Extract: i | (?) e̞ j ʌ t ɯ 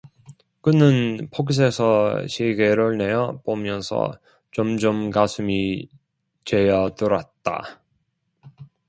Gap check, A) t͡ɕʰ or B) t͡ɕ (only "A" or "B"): B